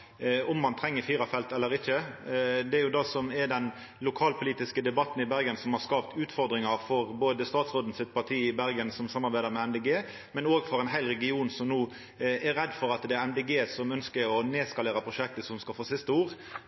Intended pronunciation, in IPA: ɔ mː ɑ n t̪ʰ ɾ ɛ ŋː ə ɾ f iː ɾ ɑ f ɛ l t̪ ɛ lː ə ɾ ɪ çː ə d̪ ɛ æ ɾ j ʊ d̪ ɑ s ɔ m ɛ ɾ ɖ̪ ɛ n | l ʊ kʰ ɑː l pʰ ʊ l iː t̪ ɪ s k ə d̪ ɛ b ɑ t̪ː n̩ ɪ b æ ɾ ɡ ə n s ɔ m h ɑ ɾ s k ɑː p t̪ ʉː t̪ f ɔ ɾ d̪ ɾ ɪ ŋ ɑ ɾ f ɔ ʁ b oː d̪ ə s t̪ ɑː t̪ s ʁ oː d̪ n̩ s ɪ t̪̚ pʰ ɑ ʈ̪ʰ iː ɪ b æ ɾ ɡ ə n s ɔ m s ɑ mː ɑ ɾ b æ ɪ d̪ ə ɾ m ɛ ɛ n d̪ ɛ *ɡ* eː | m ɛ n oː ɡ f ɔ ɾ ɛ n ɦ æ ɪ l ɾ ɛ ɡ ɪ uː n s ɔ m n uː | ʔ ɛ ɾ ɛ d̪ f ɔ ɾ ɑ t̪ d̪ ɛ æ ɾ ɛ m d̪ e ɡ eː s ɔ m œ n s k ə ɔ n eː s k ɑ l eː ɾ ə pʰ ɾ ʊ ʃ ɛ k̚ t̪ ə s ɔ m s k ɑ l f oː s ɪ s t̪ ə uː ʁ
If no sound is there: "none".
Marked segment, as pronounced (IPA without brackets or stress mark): ɡ